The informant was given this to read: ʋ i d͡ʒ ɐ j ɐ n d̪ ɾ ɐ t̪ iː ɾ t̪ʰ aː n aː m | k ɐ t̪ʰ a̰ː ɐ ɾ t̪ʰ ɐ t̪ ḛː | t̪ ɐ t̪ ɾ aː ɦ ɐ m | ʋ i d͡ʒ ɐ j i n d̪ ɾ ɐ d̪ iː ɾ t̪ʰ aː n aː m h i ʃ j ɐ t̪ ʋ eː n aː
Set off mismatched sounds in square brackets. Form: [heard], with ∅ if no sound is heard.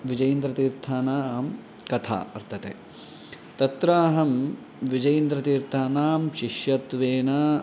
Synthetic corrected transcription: ʋ i d͡ʒ ɐ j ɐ n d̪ ɾ ɐ t̪ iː ɾ t̪ʰ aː n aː m | k ɐ t̪ʰ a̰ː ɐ ɾ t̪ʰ ɐ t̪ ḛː | t̪ ɐ t̪ ɾ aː ɦ ɐ m | ʋ i d͡ʒ ɐ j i n d̪ ɾ ɐ [t̪] iː ɾ t̪ʰ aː n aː m [ʃ] i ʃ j ɐ t̪ ʋ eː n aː